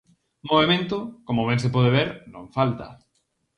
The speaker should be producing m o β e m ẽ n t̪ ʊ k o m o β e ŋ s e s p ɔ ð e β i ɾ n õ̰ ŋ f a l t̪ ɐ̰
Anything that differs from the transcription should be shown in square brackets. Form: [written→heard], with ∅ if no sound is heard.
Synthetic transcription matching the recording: m o β e m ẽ n t̪ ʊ k o m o β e ŋ s e [s→∅] p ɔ ð e β [i→e] ɾ n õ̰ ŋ f a l t̪ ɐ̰